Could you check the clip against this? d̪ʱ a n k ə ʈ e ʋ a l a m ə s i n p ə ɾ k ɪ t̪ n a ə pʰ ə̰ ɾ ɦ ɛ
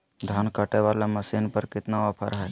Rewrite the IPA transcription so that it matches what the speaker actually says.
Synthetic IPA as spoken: d̪ʱ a n k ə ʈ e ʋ a l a m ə s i n p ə ɾ k ɪ t̪ n a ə pʰ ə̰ ɾ ɦ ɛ